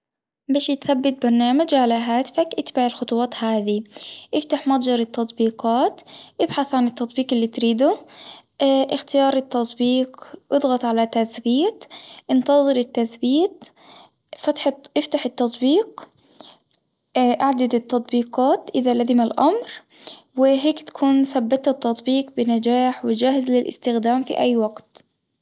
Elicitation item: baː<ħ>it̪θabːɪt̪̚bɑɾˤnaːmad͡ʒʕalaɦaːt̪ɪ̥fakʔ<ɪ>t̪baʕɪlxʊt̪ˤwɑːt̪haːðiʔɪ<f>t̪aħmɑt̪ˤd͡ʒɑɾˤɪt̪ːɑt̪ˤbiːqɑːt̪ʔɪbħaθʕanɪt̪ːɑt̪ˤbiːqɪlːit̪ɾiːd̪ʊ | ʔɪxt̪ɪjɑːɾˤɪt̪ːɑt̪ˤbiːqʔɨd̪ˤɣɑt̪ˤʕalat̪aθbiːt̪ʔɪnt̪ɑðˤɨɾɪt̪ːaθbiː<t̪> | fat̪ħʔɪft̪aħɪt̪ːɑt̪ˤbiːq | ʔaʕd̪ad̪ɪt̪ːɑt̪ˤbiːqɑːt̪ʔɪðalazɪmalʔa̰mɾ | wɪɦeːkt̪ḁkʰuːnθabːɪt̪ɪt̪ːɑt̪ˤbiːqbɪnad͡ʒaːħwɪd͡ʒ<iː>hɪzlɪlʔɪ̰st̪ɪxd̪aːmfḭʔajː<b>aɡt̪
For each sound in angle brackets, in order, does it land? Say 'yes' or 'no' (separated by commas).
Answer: no, yes, yes, yes, no, no